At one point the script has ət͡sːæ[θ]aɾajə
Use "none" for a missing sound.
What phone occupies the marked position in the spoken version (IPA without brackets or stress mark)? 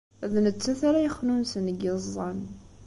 θ